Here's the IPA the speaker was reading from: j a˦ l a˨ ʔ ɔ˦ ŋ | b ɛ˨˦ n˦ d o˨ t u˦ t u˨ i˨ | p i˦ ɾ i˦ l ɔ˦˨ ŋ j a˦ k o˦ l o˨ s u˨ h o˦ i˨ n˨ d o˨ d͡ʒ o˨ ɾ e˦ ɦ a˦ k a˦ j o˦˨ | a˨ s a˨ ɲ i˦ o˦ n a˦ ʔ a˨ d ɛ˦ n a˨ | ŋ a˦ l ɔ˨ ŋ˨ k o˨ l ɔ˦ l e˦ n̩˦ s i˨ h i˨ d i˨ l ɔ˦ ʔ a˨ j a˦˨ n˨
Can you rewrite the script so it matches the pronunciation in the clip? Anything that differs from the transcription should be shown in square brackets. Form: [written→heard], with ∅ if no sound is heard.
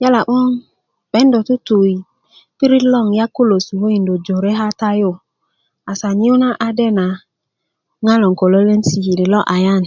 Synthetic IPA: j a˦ l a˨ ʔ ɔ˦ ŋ | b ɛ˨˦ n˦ d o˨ t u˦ t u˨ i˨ | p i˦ ɾ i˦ l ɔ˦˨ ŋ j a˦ k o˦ l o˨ s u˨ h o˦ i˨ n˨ d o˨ d͡ʒ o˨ ɾ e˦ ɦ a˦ [k→t] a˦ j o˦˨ | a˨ s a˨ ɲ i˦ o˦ n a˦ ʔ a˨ d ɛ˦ n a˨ | ŋ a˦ l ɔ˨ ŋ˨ k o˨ l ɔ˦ l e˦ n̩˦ s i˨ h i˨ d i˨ l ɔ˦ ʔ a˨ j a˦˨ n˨

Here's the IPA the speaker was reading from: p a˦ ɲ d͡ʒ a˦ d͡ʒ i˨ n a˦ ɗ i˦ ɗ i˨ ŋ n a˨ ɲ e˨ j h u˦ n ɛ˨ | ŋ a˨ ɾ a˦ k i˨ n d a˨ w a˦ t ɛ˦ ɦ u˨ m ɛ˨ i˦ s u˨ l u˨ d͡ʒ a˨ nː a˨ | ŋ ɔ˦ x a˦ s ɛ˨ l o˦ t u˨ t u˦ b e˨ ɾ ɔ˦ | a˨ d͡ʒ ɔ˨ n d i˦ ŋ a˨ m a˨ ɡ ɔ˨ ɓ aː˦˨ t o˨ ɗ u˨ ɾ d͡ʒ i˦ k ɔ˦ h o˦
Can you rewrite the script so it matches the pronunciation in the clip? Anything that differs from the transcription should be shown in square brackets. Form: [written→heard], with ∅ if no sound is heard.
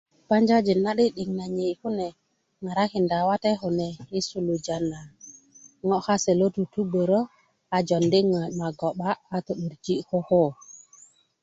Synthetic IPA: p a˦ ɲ d͡ʒ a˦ d͡ʒ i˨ n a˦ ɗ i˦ ɗ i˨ ŋ n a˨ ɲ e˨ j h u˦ n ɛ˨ | ŋ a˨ ɾ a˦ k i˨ n d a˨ w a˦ t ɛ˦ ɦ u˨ [m→n] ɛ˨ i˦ s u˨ l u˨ d͡ʒ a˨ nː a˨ | ŋ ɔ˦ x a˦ s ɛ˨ l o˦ t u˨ t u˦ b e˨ ɾ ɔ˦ | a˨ d͡ʒ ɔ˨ n d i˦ ŋ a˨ m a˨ ɡ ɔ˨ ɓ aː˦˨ t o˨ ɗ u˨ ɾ d͡ʒ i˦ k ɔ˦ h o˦

